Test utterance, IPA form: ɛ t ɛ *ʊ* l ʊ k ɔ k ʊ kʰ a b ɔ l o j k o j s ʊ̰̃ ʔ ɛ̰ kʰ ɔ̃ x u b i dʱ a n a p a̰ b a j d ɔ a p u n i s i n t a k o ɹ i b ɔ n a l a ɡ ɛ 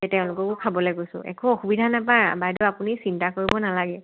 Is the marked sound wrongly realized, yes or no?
yes